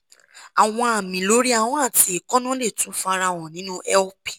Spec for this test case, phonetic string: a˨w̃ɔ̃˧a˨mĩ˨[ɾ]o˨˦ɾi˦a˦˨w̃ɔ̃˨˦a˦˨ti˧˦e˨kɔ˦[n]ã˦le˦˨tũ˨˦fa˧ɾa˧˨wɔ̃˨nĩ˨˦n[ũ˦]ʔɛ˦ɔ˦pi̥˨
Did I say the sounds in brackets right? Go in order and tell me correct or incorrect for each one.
incorrect: l, correct, correct

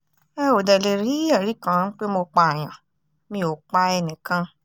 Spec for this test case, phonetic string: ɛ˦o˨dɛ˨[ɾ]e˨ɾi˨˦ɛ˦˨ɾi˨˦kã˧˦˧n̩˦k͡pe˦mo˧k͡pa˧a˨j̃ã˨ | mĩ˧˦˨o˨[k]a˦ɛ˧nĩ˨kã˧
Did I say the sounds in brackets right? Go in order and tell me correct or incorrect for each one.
incorrect: l, incorrect: k͡p

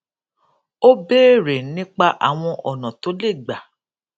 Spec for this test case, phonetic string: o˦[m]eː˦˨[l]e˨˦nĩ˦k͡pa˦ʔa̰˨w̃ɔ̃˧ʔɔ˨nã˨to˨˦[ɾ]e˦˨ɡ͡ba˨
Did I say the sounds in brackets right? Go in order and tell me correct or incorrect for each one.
incorrect: b, incorrect: ɾ, incorrect: l

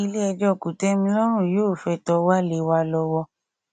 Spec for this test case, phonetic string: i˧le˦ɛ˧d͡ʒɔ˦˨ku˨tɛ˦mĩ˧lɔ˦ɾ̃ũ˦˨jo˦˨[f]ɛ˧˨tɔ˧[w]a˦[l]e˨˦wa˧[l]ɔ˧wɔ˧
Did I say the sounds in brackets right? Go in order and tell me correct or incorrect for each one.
correct, correct, correct, correct

